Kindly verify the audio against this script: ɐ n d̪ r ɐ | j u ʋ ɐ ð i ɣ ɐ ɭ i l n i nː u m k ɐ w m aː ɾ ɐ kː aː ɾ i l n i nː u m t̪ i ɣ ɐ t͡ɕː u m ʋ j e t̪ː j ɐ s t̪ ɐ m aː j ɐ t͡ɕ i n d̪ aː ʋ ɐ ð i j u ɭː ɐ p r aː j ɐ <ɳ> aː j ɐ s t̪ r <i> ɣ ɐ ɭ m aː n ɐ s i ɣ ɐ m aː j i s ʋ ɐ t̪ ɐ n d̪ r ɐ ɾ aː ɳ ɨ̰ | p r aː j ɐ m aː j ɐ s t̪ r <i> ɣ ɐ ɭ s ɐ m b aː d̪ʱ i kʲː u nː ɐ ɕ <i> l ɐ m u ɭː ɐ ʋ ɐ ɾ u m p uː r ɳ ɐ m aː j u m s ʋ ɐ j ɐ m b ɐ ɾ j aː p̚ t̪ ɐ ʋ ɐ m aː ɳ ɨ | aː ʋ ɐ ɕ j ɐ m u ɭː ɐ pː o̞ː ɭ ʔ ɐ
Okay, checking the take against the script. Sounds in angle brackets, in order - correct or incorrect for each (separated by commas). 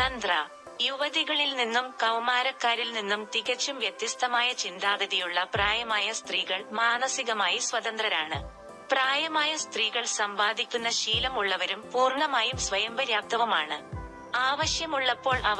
incorrect, incorrect, incorrect, incorrect